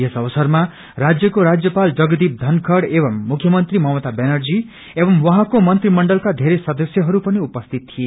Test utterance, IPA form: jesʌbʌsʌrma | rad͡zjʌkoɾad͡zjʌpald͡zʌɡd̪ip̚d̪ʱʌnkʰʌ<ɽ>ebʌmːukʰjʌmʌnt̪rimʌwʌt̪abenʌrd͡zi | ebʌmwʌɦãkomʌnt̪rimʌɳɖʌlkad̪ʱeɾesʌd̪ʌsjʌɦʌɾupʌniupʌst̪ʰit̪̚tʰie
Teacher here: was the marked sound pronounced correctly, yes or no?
yes